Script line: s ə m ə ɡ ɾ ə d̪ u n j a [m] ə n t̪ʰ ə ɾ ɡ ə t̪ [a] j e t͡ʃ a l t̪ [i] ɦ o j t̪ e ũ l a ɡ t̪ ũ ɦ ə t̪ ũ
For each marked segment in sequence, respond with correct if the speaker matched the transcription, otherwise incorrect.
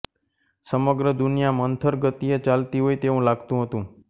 correct, incorrect, correct

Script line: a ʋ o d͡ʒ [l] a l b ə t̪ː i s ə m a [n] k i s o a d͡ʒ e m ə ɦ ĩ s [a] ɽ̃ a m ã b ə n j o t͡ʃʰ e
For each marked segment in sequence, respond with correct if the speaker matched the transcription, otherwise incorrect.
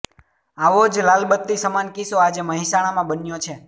correct, correct, correct

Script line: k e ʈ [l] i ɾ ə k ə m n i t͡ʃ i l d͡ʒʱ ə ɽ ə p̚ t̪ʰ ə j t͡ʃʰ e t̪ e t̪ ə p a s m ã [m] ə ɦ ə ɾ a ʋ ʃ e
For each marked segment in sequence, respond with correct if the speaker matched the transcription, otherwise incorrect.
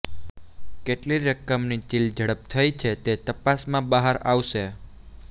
correct, incorrect

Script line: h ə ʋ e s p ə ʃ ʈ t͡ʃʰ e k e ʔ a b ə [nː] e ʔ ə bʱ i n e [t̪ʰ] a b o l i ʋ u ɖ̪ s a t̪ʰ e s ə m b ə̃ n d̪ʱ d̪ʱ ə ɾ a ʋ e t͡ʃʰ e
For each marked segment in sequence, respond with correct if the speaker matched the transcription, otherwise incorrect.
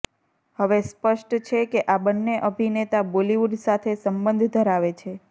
correct, incorrect

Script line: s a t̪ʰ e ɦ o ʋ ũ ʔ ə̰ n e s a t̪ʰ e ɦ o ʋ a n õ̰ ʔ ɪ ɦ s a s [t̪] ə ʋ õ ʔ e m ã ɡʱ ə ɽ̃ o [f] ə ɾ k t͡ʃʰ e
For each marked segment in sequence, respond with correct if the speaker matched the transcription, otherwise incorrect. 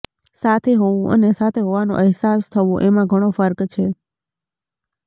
incorrect, correct

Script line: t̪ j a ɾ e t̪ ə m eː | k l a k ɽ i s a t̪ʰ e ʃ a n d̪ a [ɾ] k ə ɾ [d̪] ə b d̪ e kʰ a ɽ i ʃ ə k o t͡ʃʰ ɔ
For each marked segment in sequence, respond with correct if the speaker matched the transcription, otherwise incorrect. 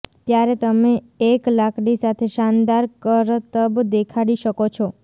correct, incorrect

